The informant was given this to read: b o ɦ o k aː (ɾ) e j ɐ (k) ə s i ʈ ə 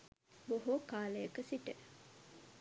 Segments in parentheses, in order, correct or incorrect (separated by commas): incorrect, correct